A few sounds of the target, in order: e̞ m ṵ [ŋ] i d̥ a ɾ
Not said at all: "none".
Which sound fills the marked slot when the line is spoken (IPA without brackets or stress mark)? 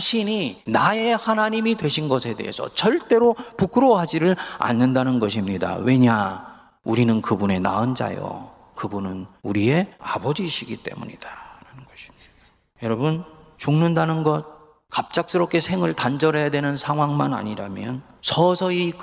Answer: ɲ